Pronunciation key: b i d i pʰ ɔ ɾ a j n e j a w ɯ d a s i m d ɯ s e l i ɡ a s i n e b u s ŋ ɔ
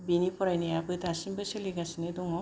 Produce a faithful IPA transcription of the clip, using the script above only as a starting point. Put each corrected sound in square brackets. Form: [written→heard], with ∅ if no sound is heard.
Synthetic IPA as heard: b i [d→n] i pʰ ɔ ɾ a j n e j a [w→b] ɯ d a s i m [d→b] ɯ s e l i ɡ a s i n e [b→d] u [s→∅] ŋ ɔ